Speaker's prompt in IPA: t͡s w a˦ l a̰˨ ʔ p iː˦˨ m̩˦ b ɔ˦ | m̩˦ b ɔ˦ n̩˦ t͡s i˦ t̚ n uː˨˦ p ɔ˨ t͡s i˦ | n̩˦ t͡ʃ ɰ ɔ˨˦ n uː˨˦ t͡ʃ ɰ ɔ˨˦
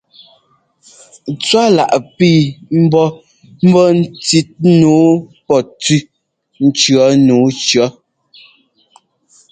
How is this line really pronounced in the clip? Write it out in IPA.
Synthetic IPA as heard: t͡s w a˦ l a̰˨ ʔ p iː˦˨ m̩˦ b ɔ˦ | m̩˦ b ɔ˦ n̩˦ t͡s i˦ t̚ n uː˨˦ p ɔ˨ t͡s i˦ | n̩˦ t͡ʃ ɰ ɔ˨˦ n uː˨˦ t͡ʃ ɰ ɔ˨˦